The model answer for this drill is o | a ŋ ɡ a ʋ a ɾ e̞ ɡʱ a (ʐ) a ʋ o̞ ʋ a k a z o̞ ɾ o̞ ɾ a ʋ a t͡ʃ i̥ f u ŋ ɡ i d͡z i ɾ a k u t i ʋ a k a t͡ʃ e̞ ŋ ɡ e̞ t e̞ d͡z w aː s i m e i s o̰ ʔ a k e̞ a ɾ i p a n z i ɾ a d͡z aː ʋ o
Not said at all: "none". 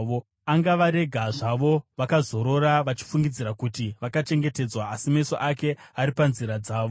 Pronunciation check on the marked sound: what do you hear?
ʐ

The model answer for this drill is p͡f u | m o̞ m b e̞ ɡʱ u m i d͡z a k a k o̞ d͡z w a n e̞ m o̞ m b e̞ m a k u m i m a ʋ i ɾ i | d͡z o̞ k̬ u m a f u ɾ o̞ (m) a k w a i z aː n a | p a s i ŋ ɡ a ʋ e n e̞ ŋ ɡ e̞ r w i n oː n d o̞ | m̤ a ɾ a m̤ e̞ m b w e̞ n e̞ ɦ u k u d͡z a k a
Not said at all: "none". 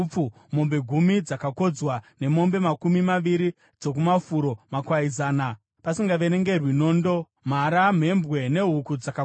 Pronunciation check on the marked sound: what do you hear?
m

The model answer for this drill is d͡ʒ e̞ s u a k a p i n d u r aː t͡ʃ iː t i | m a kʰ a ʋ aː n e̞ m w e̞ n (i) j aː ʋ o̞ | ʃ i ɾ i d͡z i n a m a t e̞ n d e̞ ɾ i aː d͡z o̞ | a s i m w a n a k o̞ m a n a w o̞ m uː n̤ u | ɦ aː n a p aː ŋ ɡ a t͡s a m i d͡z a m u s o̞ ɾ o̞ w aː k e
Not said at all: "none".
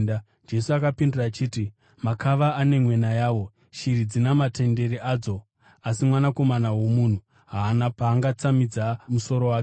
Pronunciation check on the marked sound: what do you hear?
a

